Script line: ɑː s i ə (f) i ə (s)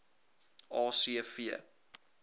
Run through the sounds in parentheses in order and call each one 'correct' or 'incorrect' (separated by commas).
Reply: correct, incorrect